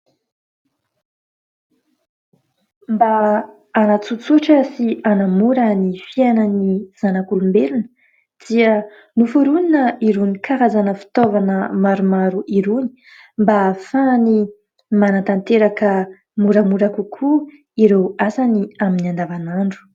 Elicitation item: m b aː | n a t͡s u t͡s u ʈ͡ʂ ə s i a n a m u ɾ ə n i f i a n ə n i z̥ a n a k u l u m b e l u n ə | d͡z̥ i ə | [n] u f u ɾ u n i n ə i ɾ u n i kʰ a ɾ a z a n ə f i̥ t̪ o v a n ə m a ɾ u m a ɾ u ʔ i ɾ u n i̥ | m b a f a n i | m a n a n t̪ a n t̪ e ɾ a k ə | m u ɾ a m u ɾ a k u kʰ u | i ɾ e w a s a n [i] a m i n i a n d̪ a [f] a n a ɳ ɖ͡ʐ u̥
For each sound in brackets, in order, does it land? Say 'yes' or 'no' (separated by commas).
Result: yes, yes, no